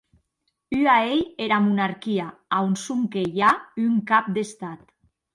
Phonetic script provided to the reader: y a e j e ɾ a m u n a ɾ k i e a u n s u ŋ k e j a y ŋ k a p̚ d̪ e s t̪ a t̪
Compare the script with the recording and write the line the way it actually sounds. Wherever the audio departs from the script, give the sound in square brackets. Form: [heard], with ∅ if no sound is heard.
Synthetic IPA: y a e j e ɾ a m u n a ɾ k i [a] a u n s u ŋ k e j a y ŋ k a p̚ d̪ e s t̪ a t̪